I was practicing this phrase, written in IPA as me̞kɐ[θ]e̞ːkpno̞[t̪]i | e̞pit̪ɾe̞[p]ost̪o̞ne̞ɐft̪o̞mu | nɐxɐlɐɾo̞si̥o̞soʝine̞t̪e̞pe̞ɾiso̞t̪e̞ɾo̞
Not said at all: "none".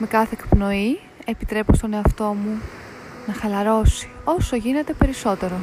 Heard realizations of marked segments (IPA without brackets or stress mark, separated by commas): θ, none, p